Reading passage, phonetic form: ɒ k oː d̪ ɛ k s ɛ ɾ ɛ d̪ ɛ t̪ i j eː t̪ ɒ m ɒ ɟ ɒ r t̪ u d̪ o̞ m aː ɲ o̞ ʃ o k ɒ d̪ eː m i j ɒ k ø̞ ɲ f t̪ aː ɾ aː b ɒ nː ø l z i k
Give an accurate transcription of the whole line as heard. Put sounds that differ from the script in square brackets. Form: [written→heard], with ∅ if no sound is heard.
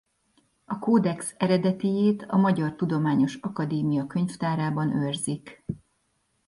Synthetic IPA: ɒ k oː d̪ ɛ k s ɛ ɾ ɛ d̪ ɛ t̪ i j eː t̪ ɒ m ɒ ɟ ɒ r t̪ u d̪ o̞ m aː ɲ o̞ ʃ [o→ɒ] k ɒ d̪ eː m i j ɒ k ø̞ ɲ f t̪ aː ɾ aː b ɒ [nː→n] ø [l→r] z i k